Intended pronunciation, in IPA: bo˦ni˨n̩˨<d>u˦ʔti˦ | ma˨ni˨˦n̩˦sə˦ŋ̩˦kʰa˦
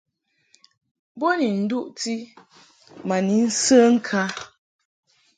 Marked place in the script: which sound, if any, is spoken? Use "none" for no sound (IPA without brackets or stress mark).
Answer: d